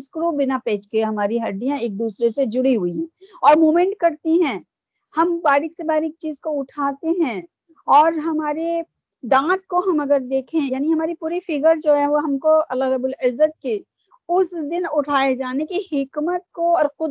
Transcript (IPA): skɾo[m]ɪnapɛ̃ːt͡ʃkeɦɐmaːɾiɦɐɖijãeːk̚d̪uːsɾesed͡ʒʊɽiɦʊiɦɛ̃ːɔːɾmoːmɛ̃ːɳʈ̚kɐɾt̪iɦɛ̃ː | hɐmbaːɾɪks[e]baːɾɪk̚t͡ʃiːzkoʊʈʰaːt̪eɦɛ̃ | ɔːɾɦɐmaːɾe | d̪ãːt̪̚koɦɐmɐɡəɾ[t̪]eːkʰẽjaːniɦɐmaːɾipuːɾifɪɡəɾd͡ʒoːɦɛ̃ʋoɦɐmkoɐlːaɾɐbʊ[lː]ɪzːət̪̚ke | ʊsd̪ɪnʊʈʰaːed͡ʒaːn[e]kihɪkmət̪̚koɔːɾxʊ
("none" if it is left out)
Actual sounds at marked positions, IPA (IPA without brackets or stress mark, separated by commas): b, e, d̪, l, e